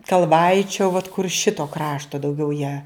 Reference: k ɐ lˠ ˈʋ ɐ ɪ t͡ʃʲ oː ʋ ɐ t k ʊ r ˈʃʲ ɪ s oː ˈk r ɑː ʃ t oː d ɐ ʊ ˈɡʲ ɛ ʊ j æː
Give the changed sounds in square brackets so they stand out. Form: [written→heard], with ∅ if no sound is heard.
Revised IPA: k ɐ lˠ ˈʋ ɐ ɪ t͡ʃʲ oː ʋ ɐ t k ʊ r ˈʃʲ ɪ [s→t] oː ˈk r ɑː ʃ t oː d ɐ ʊ ˈɡʲ ɛ ʊ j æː